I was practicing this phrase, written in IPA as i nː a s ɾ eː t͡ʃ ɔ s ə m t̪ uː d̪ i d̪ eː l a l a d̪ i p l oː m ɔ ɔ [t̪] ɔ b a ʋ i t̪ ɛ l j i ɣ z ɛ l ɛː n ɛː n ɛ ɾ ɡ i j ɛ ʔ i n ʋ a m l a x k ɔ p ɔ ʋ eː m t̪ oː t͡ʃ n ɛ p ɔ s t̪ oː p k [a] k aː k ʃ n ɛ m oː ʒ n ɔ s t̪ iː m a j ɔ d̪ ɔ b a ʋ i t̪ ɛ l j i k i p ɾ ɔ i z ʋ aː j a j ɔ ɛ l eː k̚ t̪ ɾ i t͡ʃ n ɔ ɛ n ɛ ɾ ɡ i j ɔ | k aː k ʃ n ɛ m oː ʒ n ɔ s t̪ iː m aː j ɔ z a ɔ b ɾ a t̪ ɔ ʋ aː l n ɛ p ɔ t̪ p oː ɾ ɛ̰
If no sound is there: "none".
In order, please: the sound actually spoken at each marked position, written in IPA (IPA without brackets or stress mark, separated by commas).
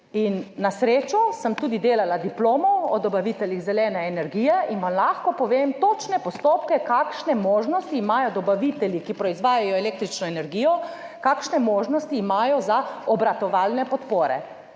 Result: d̪, ɛ